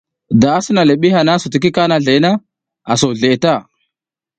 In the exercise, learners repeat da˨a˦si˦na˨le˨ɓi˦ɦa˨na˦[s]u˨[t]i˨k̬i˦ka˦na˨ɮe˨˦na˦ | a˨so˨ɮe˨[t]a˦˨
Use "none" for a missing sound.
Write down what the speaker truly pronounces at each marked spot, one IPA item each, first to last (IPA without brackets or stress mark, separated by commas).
s, t, t